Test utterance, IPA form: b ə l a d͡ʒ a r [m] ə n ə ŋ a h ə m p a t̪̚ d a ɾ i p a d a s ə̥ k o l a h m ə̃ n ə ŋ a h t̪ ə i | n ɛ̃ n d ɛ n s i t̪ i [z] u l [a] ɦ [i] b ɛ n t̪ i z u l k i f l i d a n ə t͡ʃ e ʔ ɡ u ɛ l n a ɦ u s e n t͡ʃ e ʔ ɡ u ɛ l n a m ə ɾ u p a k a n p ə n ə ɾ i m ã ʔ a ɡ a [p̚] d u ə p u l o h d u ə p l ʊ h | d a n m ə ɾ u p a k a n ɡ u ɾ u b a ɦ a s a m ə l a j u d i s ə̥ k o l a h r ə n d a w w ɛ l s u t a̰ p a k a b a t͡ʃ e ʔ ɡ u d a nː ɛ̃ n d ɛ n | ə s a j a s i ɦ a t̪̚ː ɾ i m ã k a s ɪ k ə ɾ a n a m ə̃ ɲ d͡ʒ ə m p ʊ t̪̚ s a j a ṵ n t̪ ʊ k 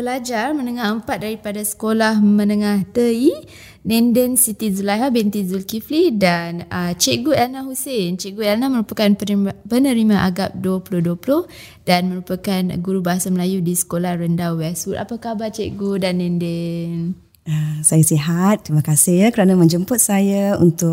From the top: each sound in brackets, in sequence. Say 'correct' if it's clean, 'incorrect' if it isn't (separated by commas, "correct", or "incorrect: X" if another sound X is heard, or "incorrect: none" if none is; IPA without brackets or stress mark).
correct, correct, correct, incorrect: a, correct